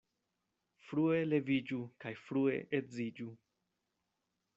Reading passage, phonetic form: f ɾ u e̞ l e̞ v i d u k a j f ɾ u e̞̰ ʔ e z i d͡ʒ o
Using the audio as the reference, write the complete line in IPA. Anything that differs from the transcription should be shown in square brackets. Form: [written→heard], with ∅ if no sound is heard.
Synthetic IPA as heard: f ɾ u e̞ l e̞ v i [d→d͡ʒ] u k a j f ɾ u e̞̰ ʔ e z i d͡ʒ [o→u]